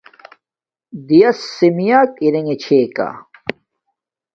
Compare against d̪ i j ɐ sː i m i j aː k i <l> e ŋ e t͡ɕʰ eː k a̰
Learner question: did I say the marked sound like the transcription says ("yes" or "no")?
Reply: no